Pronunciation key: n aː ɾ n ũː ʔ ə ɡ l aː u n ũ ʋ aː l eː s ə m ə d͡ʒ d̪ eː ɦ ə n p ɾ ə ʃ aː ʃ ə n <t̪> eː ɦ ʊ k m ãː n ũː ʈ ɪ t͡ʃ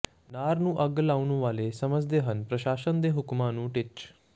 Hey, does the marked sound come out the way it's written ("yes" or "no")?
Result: no